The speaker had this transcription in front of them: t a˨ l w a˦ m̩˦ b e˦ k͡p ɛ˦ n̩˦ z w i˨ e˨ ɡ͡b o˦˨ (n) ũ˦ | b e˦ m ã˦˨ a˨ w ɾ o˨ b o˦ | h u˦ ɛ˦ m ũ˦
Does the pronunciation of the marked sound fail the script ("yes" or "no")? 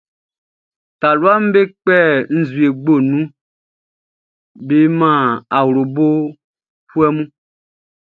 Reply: no